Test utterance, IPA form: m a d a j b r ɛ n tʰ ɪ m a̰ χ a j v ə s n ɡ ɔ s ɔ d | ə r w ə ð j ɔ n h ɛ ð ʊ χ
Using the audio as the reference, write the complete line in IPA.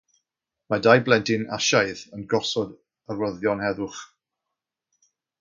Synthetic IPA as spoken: m a d a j b l ɛ n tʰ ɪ n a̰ ʃ a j ð ə n ɡ ɔ s ɔ d | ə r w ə ð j ɔ n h ɛ ð ʊ χ

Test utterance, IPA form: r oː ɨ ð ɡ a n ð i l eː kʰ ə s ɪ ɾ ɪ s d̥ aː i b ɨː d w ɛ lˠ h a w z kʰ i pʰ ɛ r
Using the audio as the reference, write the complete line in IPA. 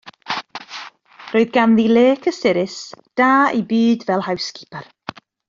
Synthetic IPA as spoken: r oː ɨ ð ɡ a n ð i l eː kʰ ə s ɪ ɾ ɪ s d̥ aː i b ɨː d v ɛ lˠ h a w s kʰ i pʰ a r

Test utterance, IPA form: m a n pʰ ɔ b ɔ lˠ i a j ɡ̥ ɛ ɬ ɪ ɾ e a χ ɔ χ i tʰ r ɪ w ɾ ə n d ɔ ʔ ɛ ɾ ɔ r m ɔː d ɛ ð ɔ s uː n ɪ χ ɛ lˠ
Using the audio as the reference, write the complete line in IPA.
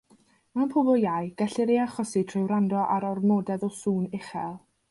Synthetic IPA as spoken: m a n pʰ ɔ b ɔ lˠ j a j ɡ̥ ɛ ɬ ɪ ɾ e a χ ɔ s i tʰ r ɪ w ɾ a n d ɔ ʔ a ɾ ɔ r m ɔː d ɛ ð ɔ s uː n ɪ χ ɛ lˠ

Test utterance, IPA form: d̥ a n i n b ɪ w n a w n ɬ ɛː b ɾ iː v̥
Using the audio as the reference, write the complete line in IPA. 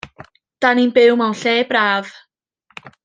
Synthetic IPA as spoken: d̥ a n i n b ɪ w m a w n ɬ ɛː b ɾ aː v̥

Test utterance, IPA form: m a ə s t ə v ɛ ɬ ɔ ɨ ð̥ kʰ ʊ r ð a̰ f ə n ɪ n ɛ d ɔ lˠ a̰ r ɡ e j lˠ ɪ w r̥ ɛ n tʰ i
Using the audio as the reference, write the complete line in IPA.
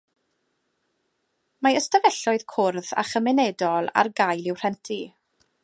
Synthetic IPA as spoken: m a ə s t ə v ɛ ɬ ɔ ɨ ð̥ kʰ ʊ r ð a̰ χ ə m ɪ n ɛ d ɔ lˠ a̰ r ɡ a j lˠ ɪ w r̥ ɛ n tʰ i

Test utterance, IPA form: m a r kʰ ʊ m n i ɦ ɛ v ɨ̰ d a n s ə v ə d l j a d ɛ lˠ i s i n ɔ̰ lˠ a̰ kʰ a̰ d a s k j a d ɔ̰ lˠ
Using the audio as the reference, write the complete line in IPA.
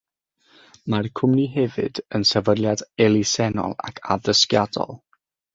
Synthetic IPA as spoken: m a r kʰ ʊ m n i ɦ ɛ v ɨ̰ d ə n s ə v ə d l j a d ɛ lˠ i s ɛ n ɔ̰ lˠ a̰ kʰ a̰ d ə s k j a d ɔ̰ lˠ

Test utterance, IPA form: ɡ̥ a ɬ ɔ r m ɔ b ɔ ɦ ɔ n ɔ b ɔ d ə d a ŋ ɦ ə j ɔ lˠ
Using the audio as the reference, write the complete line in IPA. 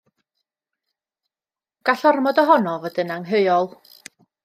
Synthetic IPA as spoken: ɡ̥ a ɬ ɔ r m ɔ d ɔ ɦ ɔ n ɔ v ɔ d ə n a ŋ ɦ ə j ɔ lˠ

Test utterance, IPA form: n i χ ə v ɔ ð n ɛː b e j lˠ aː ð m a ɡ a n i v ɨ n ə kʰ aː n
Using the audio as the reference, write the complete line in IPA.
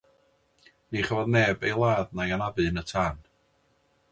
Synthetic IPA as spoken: n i χ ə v ɔ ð n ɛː b e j lˠ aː ð n a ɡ a n a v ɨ n ə tʰ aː n

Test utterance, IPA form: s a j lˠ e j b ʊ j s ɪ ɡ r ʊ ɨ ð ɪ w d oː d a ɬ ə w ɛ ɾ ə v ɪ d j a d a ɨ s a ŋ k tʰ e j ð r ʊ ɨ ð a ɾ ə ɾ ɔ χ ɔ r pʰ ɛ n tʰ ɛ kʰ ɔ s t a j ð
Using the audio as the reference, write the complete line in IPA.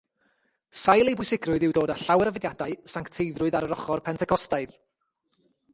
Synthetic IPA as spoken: s a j lˠ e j b ʊ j s ɪ ɡ r ʊ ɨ ð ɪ w d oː d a ɬ a w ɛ ɾ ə v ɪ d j a d a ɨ s a ŋ k tʰ e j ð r ʊ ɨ ð a ɾ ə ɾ ɔ χ ɔ r pʰ ɛ n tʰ ɛ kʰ ɔ s t a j ð

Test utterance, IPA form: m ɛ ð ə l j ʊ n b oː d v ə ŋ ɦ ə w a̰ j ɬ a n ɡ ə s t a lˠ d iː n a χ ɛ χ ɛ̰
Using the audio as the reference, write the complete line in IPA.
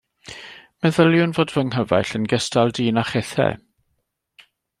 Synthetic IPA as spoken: m ɛ ð ə l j ʊ n v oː d v ə ŋ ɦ ə v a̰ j ɬ ə n ɡ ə s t a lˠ d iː n a χ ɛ θ ɛ̰

